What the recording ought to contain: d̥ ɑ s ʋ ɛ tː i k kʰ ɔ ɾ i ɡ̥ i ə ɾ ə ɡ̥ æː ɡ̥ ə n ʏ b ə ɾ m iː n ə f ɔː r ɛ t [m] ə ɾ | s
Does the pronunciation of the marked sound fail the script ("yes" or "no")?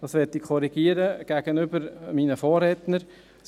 yes